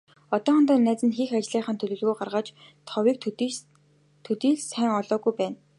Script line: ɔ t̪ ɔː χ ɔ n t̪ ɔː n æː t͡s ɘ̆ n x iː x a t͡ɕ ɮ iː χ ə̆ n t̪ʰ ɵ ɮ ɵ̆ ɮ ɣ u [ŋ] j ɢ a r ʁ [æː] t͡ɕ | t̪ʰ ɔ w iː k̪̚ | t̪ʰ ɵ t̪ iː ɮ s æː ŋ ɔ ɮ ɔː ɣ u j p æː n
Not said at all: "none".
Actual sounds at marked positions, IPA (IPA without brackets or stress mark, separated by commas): none, aː